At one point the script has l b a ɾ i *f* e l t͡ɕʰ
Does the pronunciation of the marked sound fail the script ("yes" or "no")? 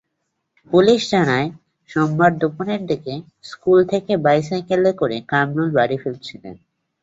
no